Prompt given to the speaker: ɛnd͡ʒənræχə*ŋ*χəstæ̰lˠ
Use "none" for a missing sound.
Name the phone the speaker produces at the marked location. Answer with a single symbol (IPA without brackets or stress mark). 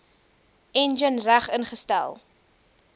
n